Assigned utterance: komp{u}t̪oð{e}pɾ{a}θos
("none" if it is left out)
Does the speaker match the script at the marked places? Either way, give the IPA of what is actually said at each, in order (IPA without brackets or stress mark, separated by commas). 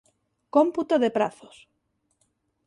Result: u, e, a